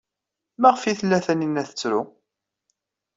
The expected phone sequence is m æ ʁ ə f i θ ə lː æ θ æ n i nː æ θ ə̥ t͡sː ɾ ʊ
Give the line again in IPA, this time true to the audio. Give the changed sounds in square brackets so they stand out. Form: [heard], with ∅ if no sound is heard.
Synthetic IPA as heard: m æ ʁ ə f i θ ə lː æ θ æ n i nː æ θ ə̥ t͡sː ɾ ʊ